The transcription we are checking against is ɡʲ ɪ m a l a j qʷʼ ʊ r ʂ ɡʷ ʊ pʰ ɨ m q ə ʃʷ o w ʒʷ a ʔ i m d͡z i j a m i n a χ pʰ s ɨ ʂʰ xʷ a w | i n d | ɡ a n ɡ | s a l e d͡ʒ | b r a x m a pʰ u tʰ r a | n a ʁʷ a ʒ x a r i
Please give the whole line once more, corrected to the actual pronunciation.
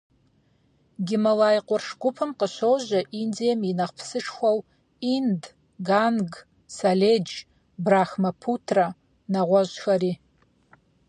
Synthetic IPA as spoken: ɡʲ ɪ m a l a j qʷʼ ʊ r ʂ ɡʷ ʊ pʰ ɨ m q ə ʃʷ o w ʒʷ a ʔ i n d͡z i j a m i n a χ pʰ s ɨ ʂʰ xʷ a w | i n d | ɡ a n ɡ | s a l e d͡ʒ | b r a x m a pʰ u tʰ r a | n a ʁʷ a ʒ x a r i